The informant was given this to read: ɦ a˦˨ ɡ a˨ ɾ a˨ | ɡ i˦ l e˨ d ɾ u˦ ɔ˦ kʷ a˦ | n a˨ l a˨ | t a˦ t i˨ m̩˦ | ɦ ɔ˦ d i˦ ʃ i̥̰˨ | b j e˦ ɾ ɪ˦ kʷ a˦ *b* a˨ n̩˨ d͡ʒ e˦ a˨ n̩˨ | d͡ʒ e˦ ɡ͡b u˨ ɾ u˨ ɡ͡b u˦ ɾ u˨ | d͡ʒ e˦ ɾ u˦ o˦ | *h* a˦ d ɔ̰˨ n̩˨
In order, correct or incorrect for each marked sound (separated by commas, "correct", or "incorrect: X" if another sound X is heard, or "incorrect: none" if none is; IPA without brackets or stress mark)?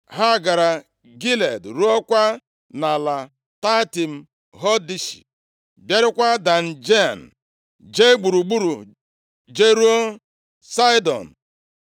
incorrect: d, incorrect: s